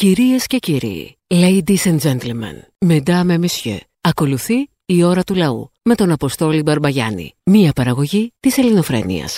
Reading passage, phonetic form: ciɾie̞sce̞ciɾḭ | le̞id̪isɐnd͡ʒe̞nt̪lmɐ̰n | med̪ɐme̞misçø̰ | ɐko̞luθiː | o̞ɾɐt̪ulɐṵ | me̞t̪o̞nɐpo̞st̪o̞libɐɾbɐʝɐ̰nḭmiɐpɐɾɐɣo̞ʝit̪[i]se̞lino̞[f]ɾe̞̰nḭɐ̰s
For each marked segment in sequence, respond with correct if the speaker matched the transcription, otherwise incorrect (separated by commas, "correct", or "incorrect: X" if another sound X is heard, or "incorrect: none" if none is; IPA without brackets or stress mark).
correct, correct